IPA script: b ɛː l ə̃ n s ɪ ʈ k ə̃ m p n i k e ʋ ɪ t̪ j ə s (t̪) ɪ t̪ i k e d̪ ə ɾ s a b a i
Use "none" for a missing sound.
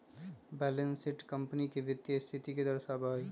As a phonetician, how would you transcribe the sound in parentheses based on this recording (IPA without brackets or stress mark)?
t̪ʰ